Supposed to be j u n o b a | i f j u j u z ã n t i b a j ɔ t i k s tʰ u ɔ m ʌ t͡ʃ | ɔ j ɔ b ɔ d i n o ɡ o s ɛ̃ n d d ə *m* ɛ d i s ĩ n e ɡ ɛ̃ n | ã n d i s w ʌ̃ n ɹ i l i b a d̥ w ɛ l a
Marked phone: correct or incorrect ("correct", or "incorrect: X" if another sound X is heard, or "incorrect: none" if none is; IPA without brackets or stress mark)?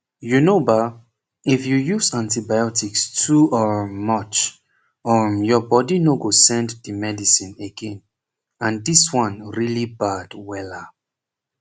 correct